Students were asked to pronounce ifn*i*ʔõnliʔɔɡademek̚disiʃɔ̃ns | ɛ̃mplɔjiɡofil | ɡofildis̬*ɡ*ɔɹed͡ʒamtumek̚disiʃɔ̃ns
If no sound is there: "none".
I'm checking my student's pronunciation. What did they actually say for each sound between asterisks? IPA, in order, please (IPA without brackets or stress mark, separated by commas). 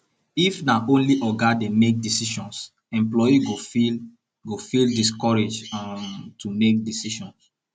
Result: a, k